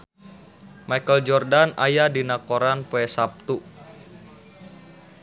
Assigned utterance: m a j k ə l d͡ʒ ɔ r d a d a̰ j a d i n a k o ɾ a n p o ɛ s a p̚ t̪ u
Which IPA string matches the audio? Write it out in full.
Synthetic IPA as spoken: m a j k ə l d͡ʒ ɔ r d a n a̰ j a d i n a k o ɾ a n p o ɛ s a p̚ t̪ u